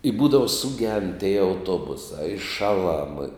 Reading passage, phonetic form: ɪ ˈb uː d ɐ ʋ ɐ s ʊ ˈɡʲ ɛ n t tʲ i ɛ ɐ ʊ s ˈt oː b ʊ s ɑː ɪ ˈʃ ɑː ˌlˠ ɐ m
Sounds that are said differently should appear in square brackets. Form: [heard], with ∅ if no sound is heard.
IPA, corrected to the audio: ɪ ˈb uː d ɐ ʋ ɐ s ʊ ˈɡʲ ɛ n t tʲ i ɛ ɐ ʊ [∅] ˈt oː b ʊ s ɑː ɪ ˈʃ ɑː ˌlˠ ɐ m